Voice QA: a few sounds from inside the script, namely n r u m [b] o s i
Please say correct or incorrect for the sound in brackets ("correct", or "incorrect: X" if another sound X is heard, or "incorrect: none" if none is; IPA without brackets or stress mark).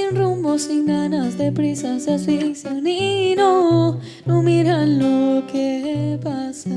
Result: correct